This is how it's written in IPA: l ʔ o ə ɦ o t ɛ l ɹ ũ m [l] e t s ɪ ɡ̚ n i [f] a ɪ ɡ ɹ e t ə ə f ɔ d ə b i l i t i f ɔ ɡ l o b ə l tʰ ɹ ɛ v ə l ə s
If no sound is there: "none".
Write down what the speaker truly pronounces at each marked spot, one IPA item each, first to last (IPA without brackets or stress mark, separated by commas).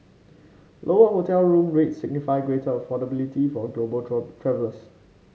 ɹ, f